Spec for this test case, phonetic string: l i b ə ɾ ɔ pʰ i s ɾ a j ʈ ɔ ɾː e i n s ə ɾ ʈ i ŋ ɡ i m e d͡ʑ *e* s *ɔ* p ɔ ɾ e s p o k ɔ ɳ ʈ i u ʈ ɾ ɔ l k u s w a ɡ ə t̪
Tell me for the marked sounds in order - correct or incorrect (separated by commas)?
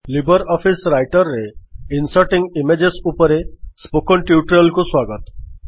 correct, incorrect